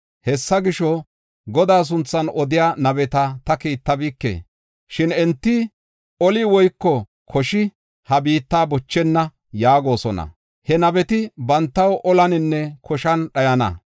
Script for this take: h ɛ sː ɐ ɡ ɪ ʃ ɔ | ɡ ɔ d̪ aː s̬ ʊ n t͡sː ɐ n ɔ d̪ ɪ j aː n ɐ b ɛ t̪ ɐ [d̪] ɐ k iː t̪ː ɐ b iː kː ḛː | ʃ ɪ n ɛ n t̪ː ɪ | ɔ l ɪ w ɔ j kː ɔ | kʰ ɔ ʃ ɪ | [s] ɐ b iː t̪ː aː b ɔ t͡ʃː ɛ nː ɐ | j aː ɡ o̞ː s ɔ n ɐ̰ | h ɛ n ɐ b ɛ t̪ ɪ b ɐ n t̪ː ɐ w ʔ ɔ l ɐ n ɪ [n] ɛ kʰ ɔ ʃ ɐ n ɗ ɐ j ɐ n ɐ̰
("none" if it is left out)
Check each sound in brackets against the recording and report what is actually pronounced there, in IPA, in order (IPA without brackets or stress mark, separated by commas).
t̪, h, nː